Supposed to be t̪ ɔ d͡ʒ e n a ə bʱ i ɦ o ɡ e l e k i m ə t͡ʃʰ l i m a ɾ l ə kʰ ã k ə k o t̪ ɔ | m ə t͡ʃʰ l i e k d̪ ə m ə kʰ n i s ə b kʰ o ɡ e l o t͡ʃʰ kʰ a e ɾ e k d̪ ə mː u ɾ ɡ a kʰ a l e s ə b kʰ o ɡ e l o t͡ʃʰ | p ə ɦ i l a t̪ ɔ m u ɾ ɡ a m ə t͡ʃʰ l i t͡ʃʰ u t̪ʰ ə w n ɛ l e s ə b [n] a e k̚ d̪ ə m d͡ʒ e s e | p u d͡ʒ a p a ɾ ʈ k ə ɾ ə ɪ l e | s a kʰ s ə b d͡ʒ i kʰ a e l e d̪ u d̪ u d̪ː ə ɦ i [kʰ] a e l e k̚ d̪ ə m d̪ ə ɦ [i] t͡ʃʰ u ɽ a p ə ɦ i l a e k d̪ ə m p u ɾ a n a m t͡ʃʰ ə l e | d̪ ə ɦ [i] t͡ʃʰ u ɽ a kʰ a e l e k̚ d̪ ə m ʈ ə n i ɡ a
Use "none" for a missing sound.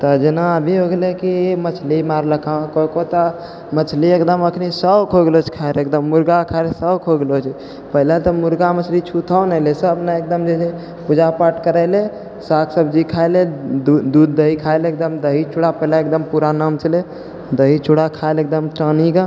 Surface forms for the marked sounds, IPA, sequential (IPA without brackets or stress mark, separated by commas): n, kʰ, i, i